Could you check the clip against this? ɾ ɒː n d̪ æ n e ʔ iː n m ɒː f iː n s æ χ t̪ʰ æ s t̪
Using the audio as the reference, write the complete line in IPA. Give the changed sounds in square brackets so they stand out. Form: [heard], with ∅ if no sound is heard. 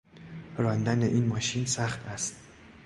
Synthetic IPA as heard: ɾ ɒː n d̪ æ n e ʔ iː n m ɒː [ʃ] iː n s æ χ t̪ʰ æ s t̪